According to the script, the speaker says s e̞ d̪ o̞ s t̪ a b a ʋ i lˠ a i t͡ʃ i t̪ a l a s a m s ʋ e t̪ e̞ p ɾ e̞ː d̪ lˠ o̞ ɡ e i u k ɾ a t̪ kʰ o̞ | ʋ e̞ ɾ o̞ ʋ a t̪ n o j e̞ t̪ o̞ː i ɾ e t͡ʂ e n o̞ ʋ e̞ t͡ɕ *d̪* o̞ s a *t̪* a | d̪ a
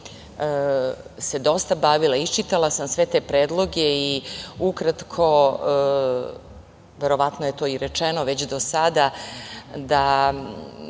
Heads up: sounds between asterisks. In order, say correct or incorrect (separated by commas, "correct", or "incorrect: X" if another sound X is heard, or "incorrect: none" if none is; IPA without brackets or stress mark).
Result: correct, incorrect: d̪